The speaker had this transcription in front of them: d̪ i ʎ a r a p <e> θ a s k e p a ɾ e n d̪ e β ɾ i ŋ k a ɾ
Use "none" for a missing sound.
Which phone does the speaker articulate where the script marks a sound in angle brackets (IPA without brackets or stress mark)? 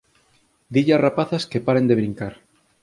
a